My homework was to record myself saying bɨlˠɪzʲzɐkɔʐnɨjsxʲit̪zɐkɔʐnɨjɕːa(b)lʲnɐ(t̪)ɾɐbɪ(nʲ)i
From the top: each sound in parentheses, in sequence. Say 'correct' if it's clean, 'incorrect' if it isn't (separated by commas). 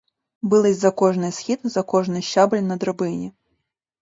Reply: correct, incorrect, correct